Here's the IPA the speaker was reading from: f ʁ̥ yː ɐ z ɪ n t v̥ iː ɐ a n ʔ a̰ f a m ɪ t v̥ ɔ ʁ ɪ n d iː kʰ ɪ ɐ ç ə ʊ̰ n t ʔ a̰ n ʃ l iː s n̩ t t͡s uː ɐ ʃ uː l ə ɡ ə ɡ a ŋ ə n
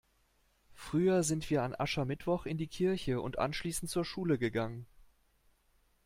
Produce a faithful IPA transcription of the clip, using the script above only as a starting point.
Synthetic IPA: f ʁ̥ yː ɐ z ɪ n t v̥ iː ɐ a n ʔ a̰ ʃ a m ɪ t v̥ ɔ χ ɪ n d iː kʰ ɪ ɐ ç ə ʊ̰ n t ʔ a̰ n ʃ l iː s n̩ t t͡s uː ɐ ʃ uː l ə ɡ ə ɡ a ŋ ə n